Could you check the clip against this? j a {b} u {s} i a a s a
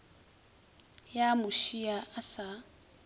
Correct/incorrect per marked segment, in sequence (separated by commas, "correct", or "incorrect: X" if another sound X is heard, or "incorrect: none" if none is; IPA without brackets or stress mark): incorrect: m, incorrect: ʃ